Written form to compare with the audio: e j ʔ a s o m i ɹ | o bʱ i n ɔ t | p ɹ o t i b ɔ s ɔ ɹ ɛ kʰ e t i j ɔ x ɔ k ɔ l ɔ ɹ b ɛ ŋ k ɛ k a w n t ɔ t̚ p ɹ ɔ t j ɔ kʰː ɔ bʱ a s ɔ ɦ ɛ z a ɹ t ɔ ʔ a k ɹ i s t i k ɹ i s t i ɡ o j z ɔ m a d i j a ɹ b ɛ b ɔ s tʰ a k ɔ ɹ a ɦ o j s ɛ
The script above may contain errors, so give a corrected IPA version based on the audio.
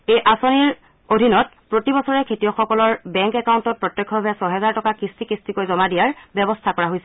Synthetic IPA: e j ʔ a s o n i ɹ | o dʱ i n ɔ t | p ɹ o t i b ɔ s ɔ ɹ ɛ kʰ e t i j ɔ x ɔ k ɔ l ɔ ɹ b ɛ ŋ k ɛ k a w n t ɔ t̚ p ɹ ɔ t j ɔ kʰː ɔ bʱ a s ɔ ɦ ɛ z a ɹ t ɔ k a k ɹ i s t i k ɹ i s t i k o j z ɔ m a d i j a ɹ b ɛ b ɔ s tʰ a k ɔ ɹ a ɦ o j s ɛ